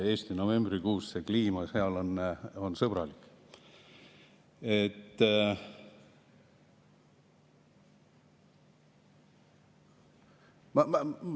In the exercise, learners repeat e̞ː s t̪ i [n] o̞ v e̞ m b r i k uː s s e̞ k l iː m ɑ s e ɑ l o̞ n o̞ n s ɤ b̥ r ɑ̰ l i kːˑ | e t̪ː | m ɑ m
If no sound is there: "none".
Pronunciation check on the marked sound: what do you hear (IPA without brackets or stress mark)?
n